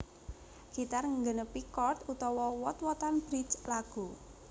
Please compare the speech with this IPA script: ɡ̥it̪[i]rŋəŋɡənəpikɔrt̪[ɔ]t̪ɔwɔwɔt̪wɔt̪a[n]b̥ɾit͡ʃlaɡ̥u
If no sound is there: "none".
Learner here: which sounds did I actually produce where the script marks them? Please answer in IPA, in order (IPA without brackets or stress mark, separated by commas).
a, u, n